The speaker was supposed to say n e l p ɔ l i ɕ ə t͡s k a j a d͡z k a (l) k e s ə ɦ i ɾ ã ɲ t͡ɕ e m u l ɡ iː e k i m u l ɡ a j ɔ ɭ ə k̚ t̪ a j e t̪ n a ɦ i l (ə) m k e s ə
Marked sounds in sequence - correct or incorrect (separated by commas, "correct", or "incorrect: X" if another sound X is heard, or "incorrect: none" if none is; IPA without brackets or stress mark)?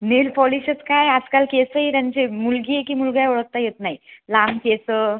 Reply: correct, incorrect: a